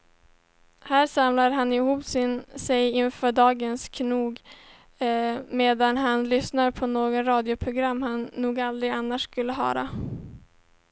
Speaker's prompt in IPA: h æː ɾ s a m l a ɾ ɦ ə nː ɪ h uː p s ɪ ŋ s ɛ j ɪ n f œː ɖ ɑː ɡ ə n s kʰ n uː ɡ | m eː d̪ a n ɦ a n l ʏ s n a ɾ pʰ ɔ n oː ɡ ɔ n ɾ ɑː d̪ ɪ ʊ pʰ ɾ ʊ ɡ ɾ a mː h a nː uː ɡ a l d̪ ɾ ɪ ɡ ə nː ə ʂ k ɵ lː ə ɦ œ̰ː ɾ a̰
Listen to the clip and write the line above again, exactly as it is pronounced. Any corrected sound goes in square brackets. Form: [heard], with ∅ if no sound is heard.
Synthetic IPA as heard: h æː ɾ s a m l a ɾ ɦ [a] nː ɪ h uː p s ɪ [n] s ɛ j ɪ n f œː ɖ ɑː ɡ ə n s kʰ n uː ɡ | m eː d̪ a n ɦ a n l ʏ s n a ɾ pʰ ɔ n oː ɡ ɔ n ɾ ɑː d̪ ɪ ʊ pʰ ɾ ʊ ɡ ɾ a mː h a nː uː ɡ a l d̪ ɾ ɪ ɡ [a] nː [a] ʂ k ɵ lː ə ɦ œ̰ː ɾ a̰